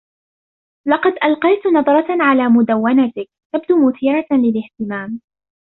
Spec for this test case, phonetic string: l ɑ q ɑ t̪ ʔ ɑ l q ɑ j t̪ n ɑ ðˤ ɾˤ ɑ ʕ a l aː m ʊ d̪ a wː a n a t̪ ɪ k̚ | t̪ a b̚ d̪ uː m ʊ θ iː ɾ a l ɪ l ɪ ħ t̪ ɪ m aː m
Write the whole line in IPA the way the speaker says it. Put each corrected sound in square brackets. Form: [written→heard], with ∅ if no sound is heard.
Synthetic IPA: l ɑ q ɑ [t̪→d̪] ʔ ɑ l q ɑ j t̪ n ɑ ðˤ ɾˤ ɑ ʕ a l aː m ʊ d̪ a wː a n a t̪ ɪ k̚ | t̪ a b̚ d̪ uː m ʊ θ iː ɾ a l ɪ l ɪ [ħ→h] t̪ ɪ m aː m